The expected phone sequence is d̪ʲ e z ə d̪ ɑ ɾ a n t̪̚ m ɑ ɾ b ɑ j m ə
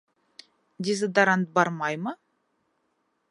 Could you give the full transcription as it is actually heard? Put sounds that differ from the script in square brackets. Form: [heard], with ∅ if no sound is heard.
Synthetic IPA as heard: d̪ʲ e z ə d̪ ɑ ɾ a n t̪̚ [b] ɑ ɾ [m] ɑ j m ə